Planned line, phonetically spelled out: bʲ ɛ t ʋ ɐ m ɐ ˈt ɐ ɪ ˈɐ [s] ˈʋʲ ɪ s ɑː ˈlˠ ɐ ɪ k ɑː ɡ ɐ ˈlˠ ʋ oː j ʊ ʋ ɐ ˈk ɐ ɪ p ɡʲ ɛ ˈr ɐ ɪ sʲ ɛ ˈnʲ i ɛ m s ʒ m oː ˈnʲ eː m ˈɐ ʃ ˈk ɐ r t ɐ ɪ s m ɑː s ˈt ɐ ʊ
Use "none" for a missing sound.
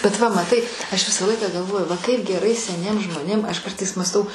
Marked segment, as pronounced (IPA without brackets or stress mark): ʃ